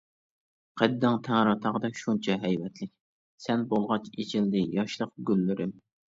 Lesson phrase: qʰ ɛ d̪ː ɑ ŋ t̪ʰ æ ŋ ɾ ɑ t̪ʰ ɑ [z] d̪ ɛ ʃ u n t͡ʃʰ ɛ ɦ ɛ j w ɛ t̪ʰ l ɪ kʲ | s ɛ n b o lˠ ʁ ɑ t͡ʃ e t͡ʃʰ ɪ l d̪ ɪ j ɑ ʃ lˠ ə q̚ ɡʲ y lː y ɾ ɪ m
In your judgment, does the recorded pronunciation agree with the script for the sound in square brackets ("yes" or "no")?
no